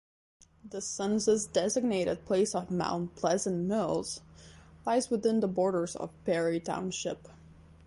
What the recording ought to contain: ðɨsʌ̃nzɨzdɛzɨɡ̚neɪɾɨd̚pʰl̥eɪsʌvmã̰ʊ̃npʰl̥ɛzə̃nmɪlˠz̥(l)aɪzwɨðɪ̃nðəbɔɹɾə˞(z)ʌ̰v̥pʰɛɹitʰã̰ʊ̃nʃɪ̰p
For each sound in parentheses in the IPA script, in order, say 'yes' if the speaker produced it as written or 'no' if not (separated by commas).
yes, yes